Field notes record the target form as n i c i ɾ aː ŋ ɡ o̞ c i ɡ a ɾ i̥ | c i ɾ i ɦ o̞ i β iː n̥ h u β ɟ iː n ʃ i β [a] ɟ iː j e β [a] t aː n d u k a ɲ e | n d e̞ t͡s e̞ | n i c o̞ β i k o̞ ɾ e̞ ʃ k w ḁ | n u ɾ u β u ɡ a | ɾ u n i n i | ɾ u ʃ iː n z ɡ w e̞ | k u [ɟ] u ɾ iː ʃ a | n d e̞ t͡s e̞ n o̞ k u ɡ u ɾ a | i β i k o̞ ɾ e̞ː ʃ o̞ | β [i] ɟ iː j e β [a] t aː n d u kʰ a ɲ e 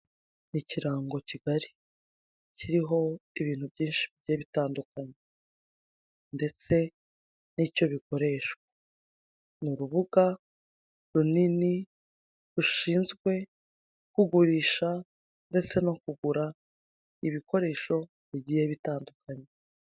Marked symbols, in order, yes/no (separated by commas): no, no, no, yes, no